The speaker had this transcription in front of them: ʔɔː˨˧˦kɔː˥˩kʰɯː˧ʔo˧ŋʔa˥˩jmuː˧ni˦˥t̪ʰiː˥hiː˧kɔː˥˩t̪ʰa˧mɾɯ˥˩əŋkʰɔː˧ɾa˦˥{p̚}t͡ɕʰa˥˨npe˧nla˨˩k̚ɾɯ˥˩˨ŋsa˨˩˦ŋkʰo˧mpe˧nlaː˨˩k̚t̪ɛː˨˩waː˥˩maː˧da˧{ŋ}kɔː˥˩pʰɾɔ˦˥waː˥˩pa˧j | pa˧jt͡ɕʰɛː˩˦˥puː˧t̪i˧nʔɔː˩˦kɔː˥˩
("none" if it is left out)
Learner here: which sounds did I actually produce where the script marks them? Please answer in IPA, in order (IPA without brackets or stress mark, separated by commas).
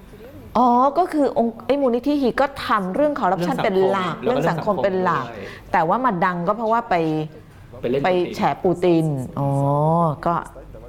p̚, ŋ